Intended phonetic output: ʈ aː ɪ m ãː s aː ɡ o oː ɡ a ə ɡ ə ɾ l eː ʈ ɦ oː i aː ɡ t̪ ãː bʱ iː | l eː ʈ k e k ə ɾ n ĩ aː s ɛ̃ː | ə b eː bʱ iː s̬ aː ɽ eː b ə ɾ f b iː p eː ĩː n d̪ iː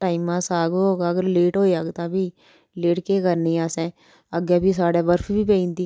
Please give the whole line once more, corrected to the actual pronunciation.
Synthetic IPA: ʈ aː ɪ m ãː s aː ɡ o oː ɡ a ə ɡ ə ɾ l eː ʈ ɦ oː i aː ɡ t̪ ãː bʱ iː | l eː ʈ k e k ə ɾ n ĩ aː s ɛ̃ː | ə ɡ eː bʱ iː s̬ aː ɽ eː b ə ɾ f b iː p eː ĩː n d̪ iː